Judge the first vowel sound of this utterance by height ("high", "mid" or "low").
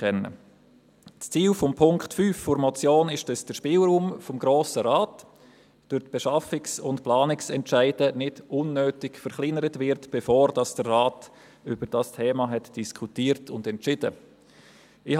mid